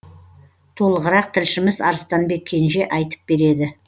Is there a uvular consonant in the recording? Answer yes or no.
yes